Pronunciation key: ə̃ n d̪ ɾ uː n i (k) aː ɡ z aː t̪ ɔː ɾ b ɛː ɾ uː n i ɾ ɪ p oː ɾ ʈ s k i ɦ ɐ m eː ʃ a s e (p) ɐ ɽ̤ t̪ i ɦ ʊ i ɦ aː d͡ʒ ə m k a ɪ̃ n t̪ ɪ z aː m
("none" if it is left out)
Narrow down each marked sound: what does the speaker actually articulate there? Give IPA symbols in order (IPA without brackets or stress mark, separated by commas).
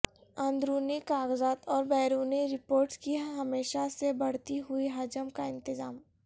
k, b